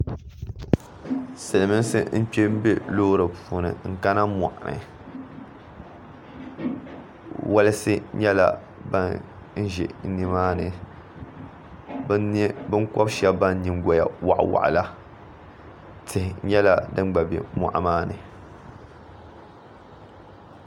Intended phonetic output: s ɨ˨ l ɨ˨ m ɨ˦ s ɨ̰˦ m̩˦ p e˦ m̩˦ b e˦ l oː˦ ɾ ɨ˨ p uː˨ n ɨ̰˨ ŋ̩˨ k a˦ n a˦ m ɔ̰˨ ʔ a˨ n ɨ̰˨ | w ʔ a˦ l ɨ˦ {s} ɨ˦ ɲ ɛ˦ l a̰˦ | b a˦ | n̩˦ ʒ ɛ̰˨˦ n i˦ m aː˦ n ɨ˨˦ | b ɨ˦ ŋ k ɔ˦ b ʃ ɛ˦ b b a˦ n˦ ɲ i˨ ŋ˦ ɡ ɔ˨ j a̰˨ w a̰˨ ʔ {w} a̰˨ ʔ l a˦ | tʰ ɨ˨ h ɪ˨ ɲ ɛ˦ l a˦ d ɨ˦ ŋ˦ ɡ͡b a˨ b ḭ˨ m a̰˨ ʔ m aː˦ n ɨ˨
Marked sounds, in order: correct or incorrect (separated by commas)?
correct, correct